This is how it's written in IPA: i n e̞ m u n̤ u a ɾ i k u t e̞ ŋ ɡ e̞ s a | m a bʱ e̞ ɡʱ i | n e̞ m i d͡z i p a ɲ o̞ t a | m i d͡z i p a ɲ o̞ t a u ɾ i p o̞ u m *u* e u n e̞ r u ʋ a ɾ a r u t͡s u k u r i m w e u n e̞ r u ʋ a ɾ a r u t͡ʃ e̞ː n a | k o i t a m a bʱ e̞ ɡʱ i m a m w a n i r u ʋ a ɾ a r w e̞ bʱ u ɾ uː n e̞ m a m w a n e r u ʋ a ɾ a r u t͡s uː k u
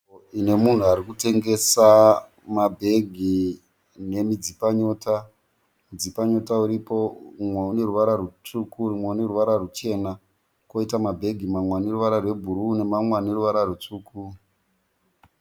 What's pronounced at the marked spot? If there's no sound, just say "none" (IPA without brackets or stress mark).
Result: w